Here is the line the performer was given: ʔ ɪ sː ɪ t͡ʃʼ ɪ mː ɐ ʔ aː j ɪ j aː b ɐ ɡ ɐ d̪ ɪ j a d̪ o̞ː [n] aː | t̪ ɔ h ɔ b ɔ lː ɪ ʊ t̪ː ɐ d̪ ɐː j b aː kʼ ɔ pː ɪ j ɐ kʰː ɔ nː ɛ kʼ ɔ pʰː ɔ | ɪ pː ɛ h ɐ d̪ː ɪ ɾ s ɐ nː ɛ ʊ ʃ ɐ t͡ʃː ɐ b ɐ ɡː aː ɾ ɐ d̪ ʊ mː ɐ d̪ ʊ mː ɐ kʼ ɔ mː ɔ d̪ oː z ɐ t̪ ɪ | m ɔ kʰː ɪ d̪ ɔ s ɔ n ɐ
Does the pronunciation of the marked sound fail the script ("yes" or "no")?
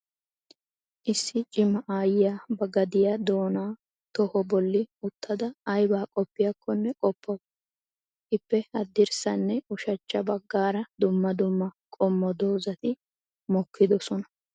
no